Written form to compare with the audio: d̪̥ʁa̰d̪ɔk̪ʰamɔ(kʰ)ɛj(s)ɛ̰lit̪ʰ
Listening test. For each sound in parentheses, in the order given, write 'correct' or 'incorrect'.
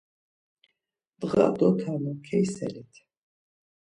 correct, correct

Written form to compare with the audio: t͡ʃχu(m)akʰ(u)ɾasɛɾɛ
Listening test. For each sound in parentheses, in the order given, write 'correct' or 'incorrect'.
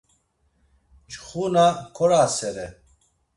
incorrect, incorrect

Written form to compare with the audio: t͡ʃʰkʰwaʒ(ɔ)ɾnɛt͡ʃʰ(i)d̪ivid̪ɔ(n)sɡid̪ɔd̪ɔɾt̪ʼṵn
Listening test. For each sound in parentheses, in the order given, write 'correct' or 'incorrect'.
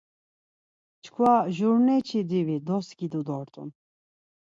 incorrect, correct, incorrect

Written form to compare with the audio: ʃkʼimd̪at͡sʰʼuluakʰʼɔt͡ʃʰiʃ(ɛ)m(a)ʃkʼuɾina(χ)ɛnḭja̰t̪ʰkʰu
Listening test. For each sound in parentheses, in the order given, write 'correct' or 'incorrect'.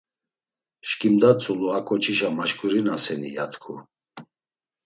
incorrect, correct, incorrect

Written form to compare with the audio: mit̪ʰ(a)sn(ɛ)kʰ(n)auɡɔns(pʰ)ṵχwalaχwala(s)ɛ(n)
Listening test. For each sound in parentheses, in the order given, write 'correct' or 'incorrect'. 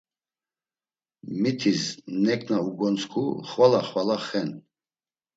incorrect, correct, correct, incorrect, incorrect, correct

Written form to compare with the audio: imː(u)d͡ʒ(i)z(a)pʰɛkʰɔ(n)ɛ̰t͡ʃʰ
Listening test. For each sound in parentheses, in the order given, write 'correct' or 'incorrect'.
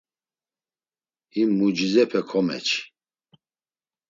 correct, correct, incorrect, incorrect

